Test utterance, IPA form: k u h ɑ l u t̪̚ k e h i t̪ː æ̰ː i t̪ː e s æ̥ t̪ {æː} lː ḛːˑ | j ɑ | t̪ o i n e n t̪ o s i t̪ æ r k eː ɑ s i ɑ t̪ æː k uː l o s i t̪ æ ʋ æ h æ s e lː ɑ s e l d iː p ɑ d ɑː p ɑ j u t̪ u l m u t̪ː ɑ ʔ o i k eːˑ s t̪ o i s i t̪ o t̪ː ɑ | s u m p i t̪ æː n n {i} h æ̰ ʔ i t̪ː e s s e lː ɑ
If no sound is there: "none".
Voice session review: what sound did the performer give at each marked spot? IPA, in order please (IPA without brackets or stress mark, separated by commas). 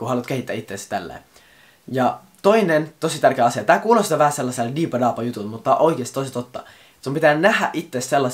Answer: æ, æ